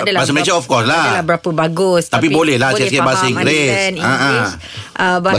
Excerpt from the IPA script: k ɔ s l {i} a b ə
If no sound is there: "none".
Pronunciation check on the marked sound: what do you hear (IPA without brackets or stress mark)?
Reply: a